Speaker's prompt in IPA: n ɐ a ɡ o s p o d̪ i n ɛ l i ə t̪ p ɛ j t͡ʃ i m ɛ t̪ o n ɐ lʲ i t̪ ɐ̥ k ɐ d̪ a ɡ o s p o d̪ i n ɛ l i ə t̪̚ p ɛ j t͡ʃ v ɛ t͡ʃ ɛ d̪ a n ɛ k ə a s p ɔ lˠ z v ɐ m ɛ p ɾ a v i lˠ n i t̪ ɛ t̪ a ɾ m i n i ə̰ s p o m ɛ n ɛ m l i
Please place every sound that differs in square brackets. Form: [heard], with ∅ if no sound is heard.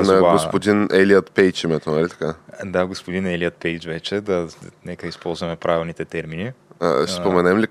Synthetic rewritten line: n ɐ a ɡ o s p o d̪ i n ɛ l i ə t̪ p ɛ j t͡ʃ i m ɛ t̪ o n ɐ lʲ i t̪ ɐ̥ k [a] d̪ a ɡ o s p o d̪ i n ɛ l i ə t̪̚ p ɛ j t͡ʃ v ɛ t͡ʃ ɛ d̪ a n ɛ k ə [i] s p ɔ lˠ z v ɐ m ɛ p ɾ a v i lˠ n i t̪ ɛ t̪ [ɛ] ɾ m i n i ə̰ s p o m ɛ n ɛ m l i